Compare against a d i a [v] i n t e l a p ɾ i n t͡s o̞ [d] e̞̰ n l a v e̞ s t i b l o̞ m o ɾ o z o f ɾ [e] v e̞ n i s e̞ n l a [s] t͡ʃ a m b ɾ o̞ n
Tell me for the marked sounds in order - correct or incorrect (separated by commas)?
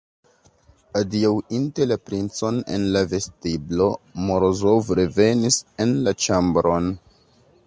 incorrect, incorrect, correct, incorrect